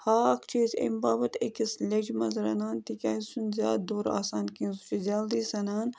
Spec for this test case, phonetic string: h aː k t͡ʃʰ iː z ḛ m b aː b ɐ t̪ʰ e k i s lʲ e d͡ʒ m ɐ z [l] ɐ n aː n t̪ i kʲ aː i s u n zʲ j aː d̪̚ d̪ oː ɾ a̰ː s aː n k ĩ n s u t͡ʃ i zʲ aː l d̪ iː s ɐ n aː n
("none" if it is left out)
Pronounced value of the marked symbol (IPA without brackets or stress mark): ɾ